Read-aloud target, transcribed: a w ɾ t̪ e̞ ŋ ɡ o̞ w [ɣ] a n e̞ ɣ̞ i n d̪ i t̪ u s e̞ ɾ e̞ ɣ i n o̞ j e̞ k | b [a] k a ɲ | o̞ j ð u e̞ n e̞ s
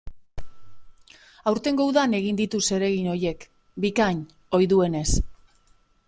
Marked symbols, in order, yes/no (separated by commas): no, no